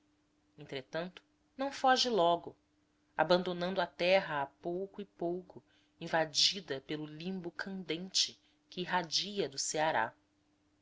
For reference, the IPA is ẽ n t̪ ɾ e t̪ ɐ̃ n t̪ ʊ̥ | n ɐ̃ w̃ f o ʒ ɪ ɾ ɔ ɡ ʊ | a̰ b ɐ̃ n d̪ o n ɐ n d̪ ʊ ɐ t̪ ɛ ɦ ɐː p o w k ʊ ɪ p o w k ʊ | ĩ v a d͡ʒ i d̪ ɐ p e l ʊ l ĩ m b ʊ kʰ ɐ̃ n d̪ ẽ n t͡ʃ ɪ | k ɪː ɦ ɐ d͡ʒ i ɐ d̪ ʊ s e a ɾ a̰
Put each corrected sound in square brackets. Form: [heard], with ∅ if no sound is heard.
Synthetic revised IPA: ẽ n t̪ ɾ e t̪ ɐ̃ n t̪ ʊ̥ | n ɐ̃ w̃ f [ɔ] ʒ ɪ [l] ɔ ɡ ʊ | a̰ b ɐ̃ n d̪ o n [ɐ̃] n d̪ ʊ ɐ t̪ ɛ ɦ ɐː p o w k ʊ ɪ p o w k ʊ | ĩ v a d͡ʒ i d̪ ɐ p e l ʊ l ĩ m b ʊ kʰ ɐ̃ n d̪ ẽ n t͡ʃ ɪ | k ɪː ɦ [a] d͡ʒ i ɐ d̪ ʊ s e a ɾ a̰